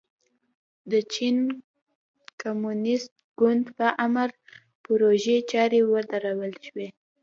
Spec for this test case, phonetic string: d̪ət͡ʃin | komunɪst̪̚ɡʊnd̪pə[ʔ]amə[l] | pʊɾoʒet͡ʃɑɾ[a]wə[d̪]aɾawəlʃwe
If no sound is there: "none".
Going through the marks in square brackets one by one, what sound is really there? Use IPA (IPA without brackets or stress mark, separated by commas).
ʔ, ɾ, e, d̪